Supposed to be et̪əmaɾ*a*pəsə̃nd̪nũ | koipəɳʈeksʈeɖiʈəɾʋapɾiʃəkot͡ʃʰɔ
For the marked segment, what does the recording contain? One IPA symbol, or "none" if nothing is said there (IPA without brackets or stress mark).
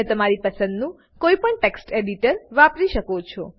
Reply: i